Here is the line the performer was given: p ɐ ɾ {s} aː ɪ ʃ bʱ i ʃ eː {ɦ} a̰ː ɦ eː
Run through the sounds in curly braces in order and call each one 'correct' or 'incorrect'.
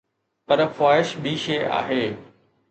incorrect, incorrect

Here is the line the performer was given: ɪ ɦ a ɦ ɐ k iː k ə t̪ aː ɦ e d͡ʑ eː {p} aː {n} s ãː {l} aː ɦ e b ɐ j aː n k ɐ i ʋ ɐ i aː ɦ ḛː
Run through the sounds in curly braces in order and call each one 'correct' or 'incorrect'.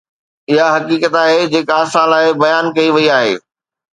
incorrect, incorrect, correct

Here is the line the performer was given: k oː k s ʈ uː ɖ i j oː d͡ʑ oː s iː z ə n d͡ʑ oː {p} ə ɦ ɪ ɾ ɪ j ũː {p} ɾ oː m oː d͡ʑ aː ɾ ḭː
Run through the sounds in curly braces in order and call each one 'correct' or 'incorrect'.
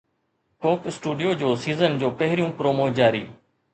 correct, correct

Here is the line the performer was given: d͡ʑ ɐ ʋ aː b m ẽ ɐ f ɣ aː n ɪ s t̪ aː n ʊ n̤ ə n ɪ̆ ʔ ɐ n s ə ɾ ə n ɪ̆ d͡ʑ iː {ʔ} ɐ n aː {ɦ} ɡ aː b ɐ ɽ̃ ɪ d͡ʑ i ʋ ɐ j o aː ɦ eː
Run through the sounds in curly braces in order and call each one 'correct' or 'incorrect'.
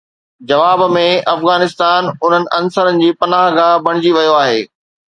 incorrect, correct

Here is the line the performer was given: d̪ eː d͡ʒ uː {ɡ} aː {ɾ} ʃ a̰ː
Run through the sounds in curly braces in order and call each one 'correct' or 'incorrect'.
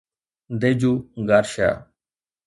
correct, correct

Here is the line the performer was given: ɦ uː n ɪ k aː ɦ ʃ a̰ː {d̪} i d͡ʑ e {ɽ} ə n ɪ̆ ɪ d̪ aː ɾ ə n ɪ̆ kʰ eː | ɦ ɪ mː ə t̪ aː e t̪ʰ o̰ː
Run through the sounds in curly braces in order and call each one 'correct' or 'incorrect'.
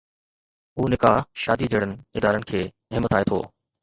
correct, correct

